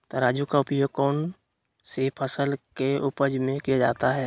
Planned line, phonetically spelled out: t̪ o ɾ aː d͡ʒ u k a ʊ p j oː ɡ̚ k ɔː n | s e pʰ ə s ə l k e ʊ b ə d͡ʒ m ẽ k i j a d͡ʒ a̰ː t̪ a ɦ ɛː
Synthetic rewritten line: t̪ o ɾ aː d͡ʒ u k a ʊ p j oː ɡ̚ k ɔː n | s e pʰ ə s ə l k e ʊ p ə d͡ʒ m ẽ k i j a d͡ʒ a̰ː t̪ a ɦ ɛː

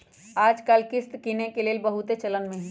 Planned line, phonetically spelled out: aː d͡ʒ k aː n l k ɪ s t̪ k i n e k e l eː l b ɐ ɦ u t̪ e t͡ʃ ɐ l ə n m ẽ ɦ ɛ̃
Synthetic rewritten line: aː d͡ʒ k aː l k ɪ s t̪ k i n e k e l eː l b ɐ ɦ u t̪ e t͡ʃ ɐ l ə n m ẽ ɦ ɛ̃

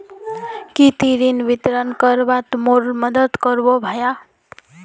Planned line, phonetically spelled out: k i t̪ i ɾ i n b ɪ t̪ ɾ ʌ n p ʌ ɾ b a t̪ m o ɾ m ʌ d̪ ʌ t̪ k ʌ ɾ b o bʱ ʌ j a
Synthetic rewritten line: k i t̪ i ɾ i n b i t̪ ɾ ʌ n k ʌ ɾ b a t̪ m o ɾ m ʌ d̪ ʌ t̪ k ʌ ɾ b o bʱ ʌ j a

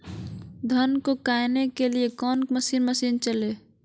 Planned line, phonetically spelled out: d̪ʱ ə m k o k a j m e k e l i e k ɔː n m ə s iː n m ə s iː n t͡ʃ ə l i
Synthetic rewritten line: d̪ʱ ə n k o k a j n e k e l i e k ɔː n m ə s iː n m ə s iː n t͡ʃ ə l e

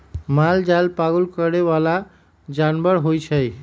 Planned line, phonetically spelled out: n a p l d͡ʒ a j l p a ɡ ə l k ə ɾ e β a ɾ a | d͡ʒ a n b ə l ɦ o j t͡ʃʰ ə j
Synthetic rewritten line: m a l d͡ʒ a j l p a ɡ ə l k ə ɾ e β a l a | d͡ʒ a n b ə ɾ ɦ o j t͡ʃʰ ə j

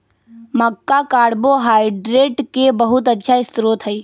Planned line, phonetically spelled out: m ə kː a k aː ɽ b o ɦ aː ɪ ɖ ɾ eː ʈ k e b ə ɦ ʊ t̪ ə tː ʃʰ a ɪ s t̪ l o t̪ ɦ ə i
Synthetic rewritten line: m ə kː a k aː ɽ b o ɦ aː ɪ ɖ ɾ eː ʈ k e b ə ɦ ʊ t̪ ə tː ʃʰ a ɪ s t̪ ɾ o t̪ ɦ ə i

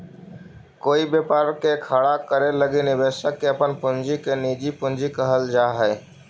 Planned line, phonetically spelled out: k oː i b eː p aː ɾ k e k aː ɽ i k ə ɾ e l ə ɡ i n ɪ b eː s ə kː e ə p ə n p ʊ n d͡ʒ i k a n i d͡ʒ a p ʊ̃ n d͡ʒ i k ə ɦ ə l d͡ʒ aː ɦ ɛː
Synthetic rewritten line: k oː i b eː p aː ɾ k e kʰ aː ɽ a k ə ɾ e l ə ɡ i n ɪ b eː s ə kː e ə p ə n p ʊ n d͡ʒ i k e n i d͡ʒ i p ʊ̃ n d͡ʒ i k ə ɦ ə l d͡ʒ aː ɦ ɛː

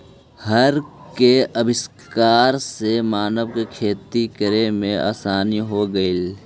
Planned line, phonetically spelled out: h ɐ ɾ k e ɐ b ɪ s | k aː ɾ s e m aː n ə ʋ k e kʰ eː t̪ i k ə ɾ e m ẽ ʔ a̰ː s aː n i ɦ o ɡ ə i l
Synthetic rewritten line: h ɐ ɾ k e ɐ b ɪ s | k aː ɾ s e m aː n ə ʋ k e kʰ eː t̪ i k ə ɾ e m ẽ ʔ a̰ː s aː n i ɦ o ɡ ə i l

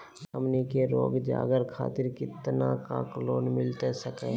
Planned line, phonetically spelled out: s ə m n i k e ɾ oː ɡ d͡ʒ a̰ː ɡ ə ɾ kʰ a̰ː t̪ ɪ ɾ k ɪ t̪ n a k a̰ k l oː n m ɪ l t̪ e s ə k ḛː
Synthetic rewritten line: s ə m n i k e ɾ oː ɡ d͡ʒ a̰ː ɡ ə ɾ kʰ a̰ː t̪ ɪ ɾ k ɪ t̪ n a k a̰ k l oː n m ɪ l t̪ e s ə k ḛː

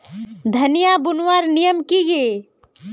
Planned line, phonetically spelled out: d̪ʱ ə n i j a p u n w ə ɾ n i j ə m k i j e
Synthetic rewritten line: d̪ʱ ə n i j a b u n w a ɾ n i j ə m k i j e

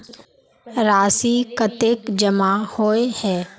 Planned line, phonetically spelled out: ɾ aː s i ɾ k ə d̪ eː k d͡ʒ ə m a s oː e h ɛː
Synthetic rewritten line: ɾ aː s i k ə t̪ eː k d͡ʒ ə m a h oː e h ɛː

